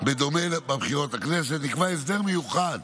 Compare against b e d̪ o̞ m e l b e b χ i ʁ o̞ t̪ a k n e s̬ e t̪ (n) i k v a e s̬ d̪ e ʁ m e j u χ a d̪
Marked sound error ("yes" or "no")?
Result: no